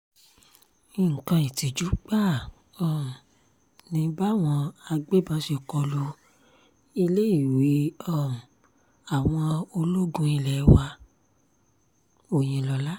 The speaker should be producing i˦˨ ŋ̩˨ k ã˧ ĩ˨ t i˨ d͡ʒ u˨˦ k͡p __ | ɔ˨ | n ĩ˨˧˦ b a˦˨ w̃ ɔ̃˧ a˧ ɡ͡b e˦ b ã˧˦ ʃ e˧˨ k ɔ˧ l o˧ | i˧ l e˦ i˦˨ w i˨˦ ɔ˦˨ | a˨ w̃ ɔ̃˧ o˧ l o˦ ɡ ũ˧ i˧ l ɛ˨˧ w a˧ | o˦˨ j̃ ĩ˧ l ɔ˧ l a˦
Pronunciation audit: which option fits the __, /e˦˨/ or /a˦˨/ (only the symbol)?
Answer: a˦˨